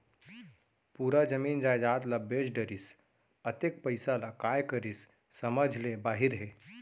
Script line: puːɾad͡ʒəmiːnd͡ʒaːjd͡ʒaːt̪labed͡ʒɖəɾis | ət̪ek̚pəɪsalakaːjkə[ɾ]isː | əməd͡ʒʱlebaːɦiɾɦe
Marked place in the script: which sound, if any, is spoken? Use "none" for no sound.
ɾ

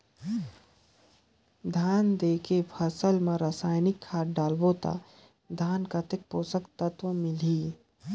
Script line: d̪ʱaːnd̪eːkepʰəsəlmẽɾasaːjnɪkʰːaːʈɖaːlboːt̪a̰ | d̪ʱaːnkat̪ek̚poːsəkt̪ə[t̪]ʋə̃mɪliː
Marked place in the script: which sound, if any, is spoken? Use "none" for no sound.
t̪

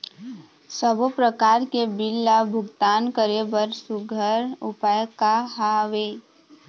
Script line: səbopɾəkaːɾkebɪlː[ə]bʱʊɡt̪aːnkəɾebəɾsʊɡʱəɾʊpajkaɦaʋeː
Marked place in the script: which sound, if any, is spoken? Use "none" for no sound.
a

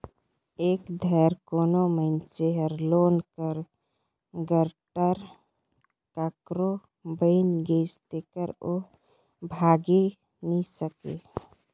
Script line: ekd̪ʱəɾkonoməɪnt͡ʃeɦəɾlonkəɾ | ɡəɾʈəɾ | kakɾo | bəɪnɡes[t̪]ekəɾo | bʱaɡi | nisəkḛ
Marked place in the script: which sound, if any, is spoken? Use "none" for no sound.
t̪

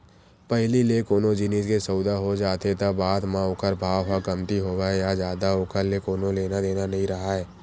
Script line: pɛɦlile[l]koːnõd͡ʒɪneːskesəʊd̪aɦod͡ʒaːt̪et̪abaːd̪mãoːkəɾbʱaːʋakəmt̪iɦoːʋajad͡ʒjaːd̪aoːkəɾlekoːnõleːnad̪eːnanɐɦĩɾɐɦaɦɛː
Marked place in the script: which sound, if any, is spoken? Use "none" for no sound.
none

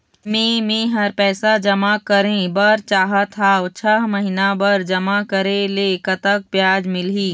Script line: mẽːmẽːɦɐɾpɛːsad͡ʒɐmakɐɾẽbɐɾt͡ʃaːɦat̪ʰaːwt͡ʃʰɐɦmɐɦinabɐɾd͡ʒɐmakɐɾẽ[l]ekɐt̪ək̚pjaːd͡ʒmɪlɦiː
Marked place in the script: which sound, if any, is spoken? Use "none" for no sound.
l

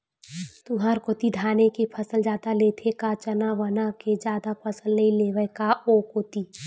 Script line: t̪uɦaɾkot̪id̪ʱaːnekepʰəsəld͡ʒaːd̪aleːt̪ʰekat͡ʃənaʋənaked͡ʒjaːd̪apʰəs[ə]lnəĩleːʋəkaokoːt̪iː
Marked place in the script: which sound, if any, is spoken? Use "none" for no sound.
ə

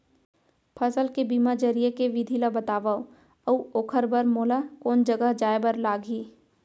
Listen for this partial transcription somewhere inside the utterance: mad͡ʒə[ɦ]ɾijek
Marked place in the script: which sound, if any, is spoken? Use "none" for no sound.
none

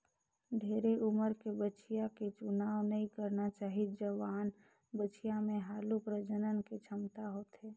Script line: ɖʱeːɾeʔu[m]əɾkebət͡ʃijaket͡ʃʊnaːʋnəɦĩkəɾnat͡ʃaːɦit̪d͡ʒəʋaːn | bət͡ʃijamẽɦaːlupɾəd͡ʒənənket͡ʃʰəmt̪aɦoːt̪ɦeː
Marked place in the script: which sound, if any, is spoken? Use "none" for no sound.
m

